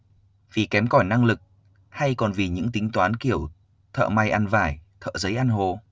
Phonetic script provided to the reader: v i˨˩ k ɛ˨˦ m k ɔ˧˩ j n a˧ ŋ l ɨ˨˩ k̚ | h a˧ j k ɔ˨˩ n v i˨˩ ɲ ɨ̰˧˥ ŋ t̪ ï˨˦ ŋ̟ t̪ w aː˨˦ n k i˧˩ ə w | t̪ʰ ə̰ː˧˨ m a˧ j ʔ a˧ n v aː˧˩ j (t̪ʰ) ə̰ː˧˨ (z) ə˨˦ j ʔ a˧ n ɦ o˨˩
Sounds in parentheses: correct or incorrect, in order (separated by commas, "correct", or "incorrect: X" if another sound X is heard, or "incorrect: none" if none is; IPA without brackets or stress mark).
correct, correct